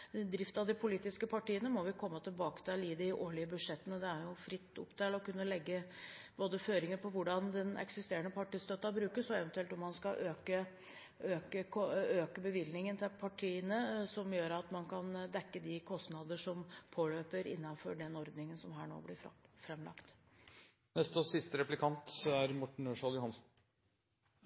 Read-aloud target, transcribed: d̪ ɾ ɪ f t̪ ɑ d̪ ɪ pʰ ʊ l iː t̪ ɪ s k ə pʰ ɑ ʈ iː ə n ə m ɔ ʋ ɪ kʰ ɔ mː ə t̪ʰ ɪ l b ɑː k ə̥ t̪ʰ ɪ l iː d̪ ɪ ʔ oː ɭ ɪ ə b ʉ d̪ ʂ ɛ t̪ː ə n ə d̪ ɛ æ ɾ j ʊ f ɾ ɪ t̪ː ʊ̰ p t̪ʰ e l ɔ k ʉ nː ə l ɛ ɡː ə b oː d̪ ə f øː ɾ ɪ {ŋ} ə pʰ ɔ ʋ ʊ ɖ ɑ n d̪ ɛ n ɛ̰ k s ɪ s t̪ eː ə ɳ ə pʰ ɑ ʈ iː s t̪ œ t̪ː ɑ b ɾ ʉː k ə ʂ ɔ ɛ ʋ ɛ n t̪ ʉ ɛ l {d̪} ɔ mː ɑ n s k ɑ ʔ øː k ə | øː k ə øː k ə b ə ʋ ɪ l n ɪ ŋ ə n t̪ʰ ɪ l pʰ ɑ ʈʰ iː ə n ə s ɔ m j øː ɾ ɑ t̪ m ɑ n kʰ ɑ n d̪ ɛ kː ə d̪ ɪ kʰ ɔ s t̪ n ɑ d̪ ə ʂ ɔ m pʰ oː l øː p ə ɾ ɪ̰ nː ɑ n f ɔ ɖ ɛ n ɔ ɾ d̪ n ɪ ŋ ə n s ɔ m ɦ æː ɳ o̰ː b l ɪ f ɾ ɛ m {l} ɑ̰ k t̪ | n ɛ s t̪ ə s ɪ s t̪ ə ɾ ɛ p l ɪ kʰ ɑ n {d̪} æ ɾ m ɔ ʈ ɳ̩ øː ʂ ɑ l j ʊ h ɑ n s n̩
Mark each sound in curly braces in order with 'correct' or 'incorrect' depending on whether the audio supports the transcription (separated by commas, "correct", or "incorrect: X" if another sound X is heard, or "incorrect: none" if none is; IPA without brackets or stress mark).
correct, incorrect: t̪, correct, incorrect: t̪